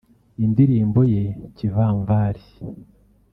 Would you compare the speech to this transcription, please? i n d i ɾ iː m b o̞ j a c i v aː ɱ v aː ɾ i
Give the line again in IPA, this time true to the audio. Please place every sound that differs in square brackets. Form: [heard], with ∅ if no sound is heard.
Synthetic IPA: i n d i ɾ iː m b o̞ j [e] c i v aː ɱ v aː ɾ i